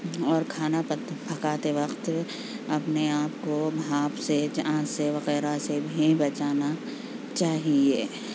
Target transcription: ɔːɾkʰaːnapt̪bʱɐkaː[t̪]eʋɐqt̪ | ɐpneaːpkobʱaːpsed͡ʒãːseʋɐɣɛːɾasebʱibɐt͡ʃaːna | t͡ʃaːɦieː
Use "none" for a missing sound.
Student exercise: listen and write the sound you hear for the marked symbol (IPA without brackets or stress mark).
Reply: t̪